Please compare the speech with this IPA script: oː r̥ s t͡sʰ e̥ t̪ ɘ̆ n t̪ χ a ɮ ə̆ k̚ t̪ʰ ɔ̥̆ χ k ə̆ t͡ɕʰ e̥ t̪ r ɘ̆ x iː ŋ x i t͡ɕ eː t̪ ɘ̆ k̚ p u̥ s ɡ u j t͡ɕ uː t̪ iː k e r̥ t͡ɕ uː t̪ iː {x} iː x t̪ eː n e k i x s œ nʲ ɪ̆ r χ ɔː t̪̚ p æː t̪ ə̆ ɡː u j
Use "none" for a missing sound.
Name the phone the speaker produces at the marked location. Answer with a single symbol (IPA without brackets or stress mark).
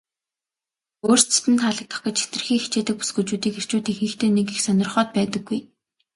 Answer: x